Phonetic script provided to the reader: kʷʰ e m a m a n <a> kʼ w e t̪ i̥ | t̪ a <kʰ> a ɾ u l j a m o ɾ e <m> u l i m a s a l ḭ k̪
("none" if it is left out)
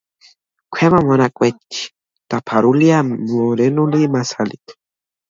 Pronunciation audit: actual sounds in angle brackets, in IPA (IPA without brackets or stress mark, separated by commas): a, pʰ, n